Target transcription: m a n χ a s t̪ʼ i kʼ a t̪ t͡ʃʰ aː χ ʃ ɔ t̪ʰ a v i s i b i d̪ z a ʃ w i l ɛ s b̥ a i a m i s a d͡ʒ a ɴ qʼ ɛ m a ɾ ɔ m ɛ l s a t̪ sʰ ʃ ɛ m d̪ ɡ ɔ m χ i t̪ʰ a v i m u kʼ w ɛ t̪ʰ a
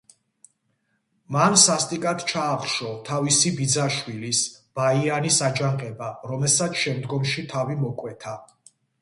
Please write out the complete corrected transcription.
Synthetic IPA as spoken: m a n s a s t̪ʼ i kʼ a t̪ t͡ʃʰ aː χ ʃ ɔ t̪ʰ a v i s i b i d̪ z a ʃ w i l i s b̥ a i a n i s a d͡ʒ a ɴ qʼ ɛ b a ɾ ɔ m ɛ l s a t̪ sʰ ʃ ɛ m d̪ ɡ ɔ m ʃ i t̪ʰ a v i m ɔ kʼ w ɛ t̪ʰ a